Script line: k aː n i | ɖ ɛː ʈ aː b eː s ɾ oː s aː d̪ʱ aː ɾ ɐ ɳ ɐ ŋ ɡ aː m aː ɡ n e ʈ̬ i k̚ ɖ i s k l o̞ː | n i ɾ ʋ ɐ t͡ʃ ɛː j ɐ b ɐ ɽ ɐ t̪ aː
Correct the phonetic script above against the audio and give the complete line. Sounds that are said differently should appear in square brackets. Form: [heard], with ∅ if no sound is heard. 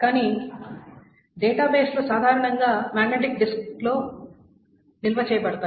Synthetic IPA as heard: k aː n i | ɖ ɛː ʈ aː b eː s [l] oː s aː d̪ʱ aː ɾ ɐ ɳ ɐ ŋ ɡ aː m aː ɡ n e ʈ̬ i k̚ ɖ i s k l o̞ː | n i [l] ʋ ɐ t͡ʃ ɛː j ɐ b ɐ ɽ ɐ t̪ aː